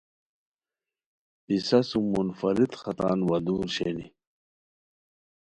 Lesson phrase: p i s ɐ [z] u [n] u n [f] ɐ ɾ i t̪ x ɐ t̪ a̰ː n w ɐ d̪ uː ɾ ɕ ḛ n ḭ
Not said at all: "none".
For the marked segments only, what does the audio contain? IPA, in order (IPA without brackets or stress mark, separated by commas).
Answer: s, m, f